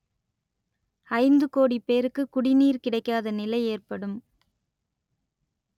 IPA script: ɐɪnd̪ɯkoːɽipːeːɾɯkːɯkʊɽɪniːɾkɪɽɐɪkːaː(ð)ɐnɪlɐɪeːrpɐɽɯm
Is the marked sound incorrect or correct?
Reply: correct